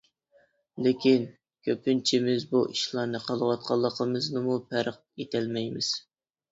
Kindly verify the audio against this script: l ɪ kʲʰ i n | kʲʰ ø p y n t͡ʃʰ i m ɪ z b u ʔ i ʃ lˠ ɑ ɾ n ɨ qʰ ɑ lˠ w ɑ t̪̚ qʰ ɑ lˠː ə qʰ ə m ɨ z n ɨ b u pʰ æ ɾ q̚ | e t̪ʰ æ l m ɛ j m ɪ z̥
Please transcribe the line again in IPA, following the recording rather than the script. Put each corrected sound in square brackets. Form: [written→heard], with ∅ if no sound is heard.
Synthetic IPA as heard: l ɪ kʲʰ i n | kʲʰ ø p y n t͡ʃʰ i m ɪ z b u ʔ i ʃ lˠ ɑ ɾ n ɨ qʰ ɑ lˠ w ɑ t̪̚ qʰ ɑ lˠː ə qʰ ə m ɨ z n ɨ [b→m] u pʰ æ ɾ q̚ | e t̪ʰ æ l m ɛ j m ɪ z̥

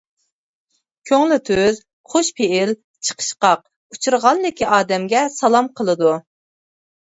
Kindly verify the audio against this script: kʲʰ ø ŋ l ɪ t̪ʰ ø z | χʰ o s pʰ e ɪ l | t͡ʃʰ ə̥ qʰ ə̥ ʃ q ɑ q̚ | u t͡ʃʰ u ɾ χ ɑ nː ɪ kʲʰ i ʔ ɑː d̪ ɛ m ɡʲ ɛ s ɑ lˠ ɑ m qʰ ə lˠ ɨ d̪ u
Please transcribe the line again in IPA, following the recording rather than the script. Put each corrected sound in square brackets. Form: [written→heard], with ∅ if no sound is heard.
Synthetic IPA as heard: kʲʰ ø ŋ l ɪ t̪ʰ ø z | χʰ o [s→ʃ] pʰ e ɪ l | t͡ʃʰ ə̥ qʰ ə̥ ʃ q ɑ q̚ | u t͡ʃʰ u ɾ [χ→ʁ] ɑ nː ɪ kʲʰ i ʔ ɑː d̪ ɛ m ɡʲ ɛ s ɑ lˠ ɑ m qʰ ə lˠ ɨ d̪ u

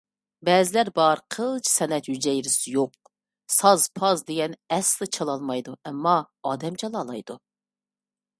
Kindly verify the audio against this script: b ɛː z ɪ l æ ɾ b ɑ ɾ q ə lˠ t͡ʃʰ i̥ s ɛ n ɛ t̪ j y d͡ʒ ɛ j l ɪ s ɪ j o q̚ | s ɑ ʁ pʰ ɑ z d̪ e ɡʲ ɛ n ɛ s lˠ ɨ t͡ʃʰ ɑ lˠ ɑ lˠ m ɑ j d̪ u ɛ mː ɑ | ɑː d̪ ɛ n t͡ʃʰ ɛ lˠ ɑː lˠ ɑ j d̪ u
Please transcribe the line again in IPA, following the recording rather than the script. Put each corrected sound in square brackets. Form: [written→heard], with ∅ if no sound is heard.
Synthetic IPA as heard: b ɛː z ɪ l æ ɾ b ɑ ɾ [q→qʰ] ə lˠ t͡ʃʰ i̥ s ɛ n ɛ t̪ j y d͡ʒ ɛ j [l→ɾ] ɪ s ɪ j o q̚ | s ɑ [ʁ→z] pʰ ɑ z d̪ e ɡʲ ɛ n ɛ s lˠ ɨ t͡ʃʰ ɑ lˠ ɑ lˠ m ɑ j d̪ u ɛ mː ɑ | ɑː d̪ ɛ [n→m] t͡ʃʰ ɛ lˠ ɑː lˠ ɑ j d̪ u

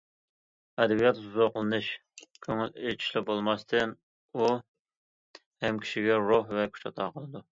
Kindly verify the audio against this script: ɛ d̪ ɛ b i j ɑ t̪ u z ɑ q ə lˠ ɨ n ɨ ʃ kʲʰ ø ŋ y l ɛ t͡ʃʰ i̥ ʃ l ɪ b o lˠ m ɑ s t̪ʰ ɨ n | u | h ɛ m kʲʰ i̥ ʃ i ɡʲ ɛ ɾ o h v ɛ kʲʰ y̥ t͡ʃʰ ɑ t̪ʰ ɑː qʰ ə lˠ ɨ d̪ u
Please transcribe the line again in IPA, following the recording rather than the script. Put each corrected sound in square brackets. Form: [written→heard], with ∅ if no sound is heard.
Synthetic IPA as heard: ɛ d̪ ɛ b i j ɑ t̪ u z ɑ q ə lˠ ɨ n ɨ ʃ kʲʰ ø ŋ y l [ɛ→e] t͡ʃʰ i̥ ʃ l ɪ b o lˠ m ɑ s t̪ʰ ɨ n | u | h ɛ m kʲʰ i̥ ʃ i ɡʲ ɛ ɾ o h v ɛ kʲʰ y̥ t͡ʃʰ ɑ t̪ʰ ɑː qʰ ə lˠ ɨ d̪ u

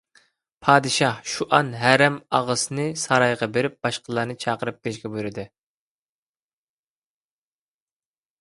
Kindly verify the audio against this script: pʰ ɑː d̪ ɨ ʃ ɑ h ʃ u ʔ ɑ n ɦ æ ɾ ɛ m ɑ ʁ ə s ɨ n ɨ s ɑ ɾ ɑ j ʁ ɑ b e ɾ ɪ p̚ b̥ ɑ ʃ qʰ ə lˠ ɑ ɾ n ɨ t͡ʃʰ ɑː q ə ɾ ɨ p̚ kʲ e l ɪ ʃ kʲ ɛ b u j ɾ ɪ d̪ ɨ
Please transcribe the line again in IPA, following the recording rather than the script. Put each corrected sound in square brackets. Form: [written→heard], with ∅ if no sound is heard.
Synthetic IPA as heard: pʰ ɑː d̪ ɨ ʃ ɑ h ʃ u ʔ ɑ n ɦ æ ɾ ɛ m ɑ ʁ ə s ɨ n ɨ s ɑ ɾ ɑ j ʁ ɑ b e ɾ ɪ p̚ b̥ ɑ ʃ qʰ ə lˠ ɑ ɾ n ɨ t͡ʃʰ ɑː q ə ɾ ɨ p̚ kʲ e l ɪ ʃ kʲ ɛ b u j ɾ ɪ d̪ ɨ

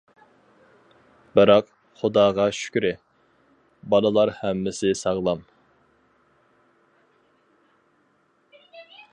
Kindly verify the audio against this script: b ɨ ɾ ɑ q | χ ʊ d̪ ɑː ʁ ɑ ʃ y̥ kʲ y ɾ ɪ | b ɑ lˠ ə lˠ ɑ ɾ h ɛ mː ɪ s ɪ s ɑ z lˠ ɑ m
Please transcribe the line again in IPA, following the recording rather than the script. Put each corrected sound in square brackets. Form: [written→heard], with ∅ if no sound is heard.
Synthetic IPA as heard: b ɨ ɾ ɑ q | χ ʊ d̪ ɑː ʁ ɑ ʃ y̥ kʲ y ɾ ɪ | b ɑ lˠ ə lˠ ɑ ɾ h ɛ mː ɪ s ɪ s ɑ [z→ʁ] lˠ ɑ m

